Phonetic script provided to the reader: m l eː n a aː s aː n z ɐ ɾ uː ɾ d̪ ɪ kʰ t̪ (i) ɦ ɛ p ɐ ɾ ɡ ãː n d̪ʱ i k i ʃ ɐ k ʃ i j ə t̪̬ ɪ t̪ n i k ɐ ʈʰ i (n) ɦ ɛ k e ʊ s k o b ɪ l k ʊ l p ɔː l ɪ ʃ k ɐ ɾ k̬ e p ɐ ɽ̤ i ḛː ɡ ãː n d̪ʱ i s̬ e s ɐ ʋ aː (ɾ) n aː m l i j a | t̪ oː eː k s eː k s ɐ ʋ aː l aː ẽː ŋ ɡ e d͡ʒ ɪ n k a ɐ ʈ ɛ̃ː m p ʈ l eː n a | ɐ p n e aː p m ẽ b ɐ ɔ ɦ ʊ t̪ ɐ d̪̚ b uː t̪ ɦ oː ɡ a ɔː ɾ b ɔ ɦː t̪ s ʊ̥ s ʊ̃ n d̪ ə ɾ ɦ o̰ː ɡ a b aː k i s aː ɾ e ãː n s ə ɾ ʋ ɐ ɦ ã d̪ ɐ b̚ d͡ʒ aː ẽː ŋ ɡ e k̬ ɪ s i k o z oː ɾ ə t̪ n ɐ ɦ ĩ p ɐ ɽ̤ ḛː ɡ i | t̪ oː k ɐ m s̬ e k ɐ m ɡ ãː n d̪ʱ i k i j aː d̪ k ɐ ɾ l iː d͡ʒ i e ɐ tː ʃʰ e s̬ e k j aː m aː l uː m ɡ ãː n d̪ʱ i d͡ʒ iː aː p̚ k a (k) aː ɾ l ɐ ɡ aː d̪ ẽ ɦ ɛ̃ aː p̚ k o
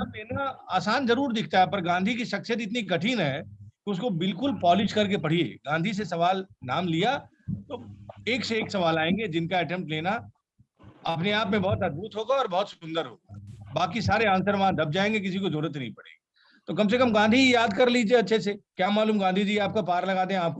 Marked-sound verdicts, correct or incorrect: incorrect: a, correct, incorrect: l, incorrect: p

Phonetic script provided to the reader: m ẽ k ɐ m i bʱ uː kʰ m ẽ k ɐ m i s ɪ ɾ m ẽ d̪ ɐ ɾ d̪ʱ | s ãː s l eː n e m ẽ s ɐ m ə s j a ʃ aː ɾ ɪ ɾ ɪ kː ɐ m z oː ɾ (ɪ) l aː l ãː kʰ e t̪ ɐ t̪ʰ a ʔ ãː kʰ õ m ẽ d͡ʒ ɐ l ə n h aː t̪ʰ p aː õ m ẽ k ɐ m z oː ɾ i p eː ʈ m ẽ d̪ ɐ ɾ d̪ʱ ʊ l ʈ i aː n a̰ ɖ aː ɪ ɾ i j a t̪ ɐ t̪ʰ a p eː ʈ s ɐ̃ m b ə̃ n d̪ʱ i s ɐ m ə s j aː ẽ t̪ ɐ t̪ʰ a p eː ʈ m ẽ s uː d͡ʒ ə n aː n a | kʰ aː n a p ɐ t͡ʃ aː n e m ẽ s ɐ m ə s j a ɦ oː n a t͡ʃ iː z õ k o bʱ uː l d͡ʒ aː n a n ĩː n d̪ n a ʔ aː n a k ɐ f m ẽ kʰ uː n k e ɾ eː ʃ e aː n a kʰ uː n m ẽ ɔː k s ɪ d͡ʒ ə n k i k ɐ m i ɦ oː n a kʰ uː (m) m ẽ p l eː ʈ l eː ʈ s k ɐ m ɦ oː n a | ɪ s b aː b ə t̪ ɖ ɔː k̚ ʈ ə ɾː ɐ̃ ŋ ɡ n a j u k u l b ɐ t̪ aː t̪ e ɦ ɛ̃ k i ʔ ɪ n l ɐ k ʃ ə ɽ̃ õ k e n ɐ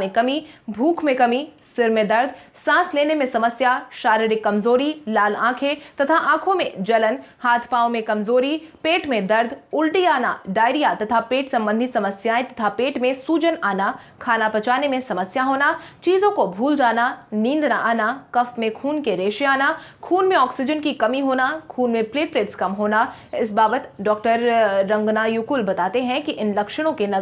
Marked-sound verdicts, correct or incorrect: incorrect: i, incorrect: n

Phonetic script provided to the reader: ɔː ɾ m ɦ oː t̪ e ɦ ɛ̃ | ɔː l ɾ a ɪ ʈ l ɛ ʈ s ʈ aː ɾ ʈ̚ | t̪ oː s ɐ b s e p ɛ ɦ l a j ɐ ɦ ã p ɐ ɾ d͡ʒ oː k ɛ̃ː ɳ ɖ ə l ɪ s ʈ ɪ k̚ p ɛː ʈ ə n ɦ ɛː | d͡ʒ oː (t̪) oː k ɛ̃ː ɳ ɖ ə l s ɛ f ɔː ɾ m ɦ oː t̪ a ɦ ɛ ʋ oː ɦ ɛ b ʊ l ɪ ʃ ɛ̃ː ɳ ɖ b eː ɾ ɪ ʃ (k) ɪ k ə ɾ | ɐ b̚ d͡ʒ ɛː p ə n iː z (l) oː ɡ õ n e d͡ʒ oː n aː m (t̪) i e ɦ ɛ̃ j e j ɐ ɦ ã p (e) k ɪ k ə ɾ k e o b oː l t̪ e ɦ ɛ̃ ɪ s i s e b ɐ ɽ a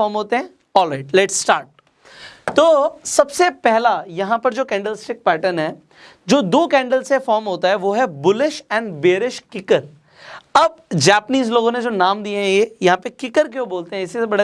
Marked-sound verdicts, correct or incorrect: incorrect: d̪, correct, correct, incorrect: d̪, correct

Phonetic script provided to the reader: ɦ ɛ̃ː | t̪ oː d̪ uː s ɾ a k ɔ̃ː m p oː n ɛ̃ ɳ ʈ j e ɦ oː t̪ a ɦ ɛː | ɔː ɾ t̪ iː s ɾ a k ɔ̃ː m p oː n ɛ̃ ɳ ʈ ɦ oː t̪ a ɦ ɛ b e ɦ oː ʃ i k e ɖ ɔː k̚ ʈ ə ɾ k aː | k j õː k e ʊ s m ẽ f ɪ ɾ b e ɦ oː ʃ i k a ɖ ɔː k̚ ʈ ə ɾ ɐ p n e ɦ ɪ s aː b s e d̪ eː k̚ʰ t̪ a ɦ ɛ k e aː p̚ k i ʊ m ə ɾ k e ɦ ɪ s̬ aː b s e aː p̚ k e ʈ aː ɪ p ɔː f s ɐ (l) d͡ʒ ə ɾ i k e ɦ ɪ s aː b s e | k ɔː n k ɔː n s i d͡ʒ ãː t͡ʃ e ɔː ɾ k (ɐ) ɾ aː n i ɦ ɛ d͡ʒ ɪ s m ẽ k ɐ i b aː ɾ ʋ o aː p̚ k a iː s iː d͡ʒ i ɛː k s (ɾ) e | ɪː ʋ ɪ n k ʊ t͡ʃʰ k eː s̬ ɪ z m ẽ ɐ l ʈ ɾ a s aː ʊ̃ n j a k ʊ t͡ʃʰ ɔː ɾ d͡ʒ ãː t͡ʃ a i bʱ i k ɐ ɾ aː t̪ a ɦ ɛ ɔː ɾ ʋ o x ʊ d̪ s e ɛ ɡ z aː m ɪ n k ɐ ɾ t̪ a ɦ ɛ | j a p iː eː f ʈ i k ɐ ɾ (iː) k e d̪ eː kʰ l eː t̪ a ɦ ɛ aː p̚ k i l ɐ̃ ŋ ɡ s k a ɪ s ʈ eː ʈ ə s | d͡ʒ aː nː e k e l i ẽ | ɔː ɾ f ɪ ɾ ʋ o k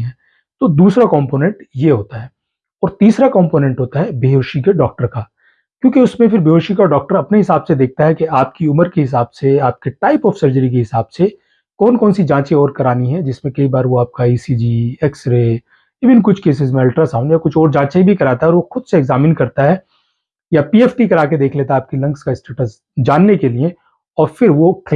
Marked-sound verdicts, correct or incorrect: incorrect: ɾ, correct, correct, incorrect: aː

